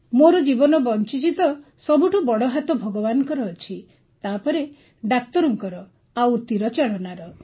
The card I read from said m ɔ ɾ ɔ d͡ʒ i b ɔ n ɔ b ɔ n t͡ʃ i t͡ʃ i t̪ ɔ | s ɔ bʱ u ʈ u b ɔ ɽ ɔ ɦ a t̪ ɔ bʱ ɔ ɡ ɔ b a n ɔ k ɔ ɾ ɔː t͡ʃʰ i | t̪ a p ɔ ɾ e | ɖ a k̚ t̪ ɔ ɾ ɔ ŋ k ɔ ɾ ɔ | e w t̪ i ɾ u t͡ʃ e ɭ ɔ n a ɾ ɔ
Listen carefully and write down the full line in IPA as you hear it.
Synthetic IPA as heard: m o ɾ ɔ d͡ʒ i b ɔ n ɔ b ɔ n t͡ʃ i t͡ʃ i t̪ ɔ | s ɔ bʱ u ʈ u b ɔ ɽ ɔ ɦ a t̪ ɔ bʱ ɔ ɡ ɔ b a n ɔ k ɔ ɾ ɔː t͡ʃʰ i | t̪ a p ɔ ɾ e | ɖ a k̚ t̪ ɔ ɾ ɔ ŋ k ɔ ɾ ɔ | a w t̪ i ɾ ɔ t͡ʃ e ɭ ɔ n a ɾ ɔ

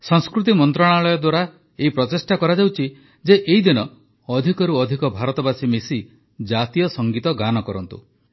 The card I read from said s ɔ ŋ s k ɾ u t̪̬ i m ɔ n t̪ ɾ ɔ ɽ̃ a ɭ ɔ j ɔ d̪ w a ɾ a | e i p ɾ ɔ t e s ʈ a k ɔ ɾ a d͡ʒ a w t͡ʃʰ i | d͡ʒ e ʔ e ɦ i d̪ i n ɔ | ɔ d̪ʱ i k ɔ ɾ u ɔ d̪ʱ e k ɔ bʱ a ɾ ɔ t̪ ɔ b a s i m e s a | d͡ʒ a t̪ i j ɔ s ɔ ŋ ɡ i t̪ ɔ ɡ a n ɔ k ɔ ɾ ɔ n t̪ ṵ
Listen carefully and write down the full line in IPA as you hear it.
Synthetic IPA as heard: s ɔ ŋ s k ɾ u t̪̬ i m ɔ n t̪ ɾ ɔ ɽ̃ a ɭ ɔ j ɔ d̪ w a ɾ a | e i p ɾ ɔ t e s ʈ a k ɔ ɾ a d͡ʒ a w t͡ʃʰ i | d͡ʒ e ʔ e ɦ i d̪ i n ɔ | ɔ d̪ʱ i k ɔ ɾ u ɔ d̪ʱ i k ɔ bʱ a ɾ ɔ t̪ ɔ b a s i m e s i | d͡ʒ a t̪ i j ɔ s ɔ ŋ ɡ i t̪ ɔ ɡ a n ɔ k ɔ ɾ ɔ n t̪ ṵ

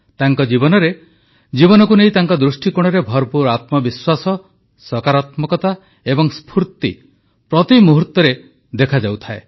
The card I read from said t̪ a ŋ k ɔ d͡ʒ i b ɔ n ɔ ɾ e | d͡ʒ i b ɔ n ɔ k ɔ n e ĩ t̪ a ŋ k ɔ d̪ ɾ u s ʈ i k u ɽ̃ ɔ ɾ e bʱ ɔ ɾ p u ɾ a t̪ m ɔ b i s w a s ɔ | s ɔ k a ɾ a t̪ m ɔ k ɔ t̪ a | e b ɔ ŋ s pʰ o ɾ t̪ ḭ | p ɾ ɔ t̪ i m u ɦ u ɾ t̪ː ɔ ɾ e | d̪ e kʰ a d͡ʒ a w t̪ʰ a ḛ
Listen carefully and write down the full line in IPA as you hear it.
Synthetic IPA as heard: t̪ a ŋ k ɔ d͡ʒ i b ɔ n ɔ ɾ e | d͡ʒ i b ɔ n ɔ k u n e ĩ t̪ a ŋ k ɔ d̪ ɾ u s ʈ i k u ɽ̃ ɔ ɾ e bʱ ɔ ɾ p u ɾ a t̪ m ɔ b i s w a s ɔ | s ɔ k a ɾ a t̪ m ɔ k ɔ t̪ a | e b ɔ ŋ s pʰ u ɾ t̪ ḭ | p ɾ ɔ t̪ i m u ɦ u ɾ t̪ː ɔ ɾ e | d̪ e kʰ a d͡ʒ a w t̪ʰ a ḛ

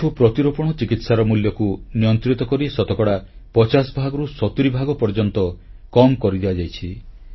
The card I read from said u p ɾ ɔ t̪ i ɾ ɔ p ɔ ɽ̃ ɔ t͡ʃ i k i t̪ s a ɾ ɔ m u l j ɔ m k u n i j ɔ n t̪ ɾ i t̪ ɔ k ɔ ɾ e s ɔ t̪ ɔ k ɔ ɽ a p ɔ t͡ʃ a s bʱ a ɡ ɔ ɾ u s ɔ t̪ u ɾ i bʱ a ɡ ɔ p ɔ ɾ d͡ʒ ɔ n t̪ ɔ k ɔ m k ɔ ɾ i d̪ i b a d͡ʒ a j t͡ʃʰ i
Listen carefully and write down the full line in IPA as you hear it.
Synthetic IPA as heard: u p ɾ ɔ t̪ i ɾ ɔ p ɔ ɽ̃ ɔ t͡ʃ i k i t̪ s a ɾ ɔ m u l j ɔ k u n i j ɔ n t̪ ɾ i t̪ ɔ k ɔ ɾ i s ɔ t̪ ɔ k ɔ ɽ a p ɔ t͡ʃ a s bʱ a ɡ ɔ ɾ u s ɔ t̪ u ɾ i bʱ a ɡ ɔ p ɔ ɾ d͡ʒ ɔ n t̪ ɔ k ɔ m k ɔ ɾ i d̪ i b a d͡ʒ a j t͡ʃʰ i

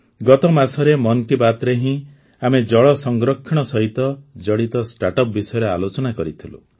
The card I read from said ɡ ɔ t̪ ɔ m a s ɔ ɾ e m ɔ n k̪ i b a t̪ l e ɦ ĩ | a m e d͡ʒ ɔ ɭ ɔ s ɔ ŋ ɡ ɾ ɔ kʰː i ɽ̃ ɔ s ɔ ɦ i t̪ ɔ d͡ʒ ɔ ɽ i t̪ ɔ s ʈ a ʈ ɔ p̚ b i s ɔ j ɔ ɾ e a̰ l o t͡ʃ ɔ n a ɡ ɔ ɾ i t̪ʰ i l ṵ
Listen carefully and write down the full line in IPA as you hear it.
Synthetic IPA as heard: ɡ ɔ t̪ ɔ m a s ɔ ɾ e m ɔ n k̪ i b a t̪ ɾ e ɦ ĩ | a m e d͡ʒ ɔ ɭ ɔ s ɔ ŋ ɡ ɾ ɔ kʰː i ɽ̃ ɔ s ɔ ɦ i t̪ ɔ d͡ʒ ɔ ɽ i t̪ ɔ s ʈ a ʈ ɔ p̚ b i s ɔ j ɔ ɾ e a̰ l o t͡ʃ ɔ n a k ɔ ɾ i t̪ʰ i l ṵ

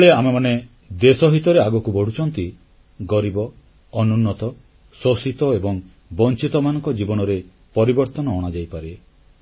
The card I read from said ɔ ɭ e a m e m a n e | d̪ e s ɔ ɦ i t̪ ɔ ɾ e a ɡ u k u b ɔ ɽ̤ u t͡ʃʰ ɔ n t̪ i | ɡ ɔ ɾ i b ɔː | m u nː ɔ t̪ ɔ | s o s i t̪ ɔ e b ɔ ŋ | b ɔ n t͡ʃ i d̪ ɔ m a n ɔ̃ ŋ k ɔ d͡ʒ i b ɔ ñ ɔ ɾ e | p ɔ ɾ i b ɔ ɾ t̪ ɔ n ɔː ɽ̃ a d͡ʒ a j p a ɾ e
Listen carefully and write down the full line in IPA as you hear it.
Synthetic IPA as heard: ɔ ɭ e a m e m a n e | d̪ e s ɔ ɦ i t̪ ɔ ɾ e a ɡ ɔ k u b ɔ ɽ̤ u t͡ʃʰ ɔ n t̪ i | ɡ ɔ ɾ i b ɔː | n u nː ɔ t̪ ɔ | s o s i t̪ ɔ e b ɔ ŋ | b ɔ n t͡ʃ i t̪ ɔ m a n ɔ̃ ŋ k ɔ d͡ʒ i b ɔ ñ ɔ ɾ e | p ɔ ɾ i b ɔ ɾ t̪ ɔ n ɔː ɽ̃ a d͡ʒ a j p a ɾ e

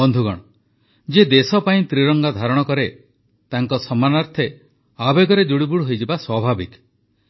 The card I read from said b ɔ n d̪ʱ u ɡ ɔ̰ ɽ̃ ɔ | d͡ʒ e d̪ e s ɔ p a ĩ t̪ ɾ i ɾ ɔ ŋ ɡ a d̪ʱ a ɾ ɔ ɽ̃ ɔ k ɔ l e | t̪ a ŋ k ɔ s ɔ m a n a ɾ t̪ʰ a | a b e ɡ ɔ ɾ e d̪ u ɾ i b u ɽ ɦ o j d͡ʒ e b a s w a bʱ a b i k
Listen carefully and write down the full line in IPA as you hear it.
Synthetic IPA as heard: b ɔ n d̪ʱ u ɡ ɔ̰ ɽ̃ ɔ | d͡ʒ e d̪ e s ɔ p a ĩ t̪ ɾ i ɾ ɔ ŋ ɡ a d̪ʱ a ɾ ɔ ɽ̃ ɔ k ɔ ɾ e | t̪ a ŋ k ɔ s ɔ m a n a ɾ t̪ʰ e | a b e ɡ ɔ ɾ e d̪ u ɽ i b u ɽ ɦ o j d͡ʒ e b a s w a bʱ a b i k

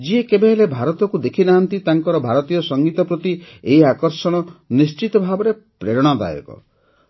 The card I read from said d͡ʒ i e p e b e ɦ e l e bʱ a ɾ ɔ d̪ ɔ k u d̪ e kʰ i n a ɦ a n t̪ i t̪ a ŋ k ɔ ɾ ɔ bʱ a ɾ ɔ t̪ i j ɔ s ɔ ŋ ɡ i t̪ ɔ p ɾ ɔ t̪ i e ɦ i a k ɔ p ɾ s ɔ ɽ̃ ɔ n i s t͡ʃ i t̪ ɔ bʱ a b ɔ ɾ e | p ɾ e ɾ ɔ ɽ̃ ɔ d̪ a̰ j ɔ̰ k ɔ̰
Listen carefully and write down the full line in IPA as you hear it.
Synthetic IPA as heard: d͡ʒ i e k e b e ɦ e l e bʱ a ɾ ɔ t̪ ɔ k u d̪ e kʰ i n a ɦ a n t̪ i t̪ a ŋ k ɔ ɾ ɔ bʱ a ɾ ɔ t̪ i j ɔ s ɔ ŋ ɡ i t̪ ɔ p ɾ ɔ t̪ i e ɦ i a k ɔ ɾ s ɔ ɽ̃ ɔ n i s t͡ʃ i t̪ ɔ bʱ a b ɔ ɾ e | p ɾ e ɾ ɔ ɽ̃ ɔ d̪ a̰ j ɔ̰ k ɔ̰

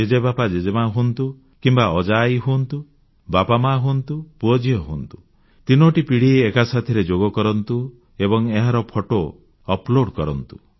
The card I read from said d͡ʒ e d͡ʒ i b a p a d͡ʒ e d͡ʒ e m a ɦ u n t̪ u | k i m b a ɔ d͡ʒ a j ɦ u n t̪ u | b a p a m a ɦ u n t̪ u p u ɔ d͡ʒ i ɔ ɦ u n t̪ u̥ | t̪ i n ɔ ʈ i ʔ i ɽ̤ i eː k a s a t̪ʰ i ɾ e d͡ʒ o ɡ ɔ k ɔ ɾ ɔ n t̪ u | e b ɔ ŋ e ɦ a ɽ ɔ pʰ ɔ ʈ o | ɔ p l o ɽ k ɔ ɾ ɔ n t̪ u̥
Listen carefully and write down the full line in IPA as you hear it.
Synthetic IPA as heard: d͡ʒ e d͡ʒ e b a p a d͡ʒ e d͡ʒ e m a ɦ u n t̪ u | k i m b a ɔ d͡ʒ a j ɦ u n t̪ u | b a p a m a ɦ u n t̪ u p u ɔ d͡ʒ i ɔ ɦ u n t̪ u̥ | t̪ i n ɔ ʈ i p i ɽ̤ i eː k a s a t̪ʰ i ɾ e d͡ʒ o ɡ ɔ k ɔ ɾ ɔ n t̪ u | e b ɔ ŋ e ɦ a ɾ ɔ pʰ ɔ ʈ o | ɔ p l o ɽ k ɔ ɾ ɔ n t̪ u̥

